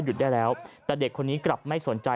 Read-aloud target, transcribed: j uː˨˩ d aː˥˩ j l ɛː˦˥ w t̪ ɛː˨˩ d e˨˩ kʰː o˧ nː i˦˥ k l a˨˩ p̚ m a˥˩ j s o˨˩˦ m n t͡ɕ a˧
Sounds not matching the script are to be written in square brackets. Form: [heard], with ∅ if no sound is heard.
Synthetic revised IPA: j [u˨˩] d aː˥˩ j l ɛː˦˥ w t̪ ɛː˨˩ d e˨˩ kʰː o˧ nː [iː˦˥] k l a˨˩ p̚ m a˥˩ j s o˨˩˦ [∅] n t͡ɕ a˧

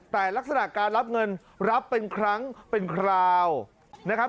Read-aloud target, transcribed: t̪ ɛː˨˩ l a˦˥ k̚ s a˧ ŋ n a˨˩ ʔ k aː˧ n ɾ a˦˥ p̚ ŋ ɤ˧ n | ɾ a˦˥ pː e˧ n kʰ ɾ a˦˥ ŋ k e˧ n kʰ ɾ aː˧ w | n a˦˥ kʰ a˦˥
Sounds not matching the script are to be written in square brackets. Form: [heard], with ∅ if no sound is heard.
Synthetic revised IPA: t̪ ɛː˨˩ l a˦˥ k̚ s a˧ [∅] n a˨˩ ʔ k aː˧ n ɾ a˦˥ p̚ ŋ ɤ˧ n | ɾ a˦˥ pː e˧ n kʰ ɾ a˦˥ ŋ [p] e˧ n kʰ ɾ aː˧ w | n a˦˥ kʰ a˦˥

